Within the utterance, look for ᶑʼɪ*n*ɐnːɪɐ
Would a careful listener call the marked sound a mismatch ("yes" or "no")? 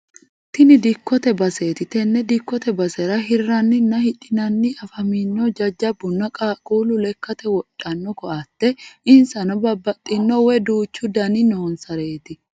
no